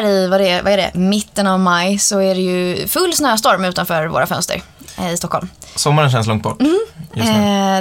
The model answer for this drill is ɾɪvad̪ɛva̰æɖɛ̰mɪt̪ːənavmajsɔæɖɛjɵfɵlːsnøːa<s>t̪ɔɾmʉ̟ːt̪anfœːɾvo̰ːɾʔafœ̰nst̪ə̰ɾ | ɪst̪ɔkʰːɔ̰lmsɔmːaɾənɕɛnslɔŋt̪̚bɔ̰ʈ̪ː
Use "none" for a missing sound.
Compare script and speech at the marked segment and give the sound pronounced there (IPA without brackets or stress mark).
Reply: s